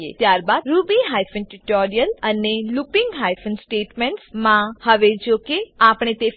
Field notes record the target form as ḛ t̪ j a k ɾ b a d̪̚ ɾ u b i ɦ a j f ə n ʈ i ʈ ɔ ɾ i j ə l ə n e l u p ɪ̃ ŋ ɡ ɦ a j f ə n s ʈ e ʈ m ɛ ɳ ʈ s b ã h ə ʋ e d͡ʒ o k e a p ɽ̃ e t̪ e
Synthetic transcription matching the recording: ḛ t̪ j a ɾ b a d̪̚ ɾ u b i ɦ a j f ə n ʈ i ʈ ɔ ɾ i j ə l ə n e l u p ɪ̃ ŋ ɡ ɦ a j f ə n s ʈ e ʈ m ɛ ɳ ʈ s m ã h ə ʋ e d͡ʒ o k e a p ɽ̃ e t̪ e